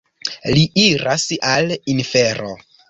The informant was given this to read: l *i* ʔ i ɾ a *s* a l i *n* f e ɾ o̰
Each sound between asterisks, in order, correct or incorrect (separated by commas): correct, correct, correct